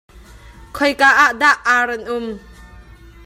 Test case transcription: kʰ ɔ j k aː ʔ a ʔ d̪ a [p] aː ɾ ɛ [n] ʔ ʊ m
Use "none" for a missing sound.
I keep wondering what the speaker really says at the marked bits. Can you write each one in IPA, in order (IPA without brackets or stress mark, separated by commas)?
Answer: ʔ, n